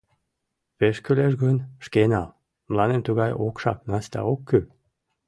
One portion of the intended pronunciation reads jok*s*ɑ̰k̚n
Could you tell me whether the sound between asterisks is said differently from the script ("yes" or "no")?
yes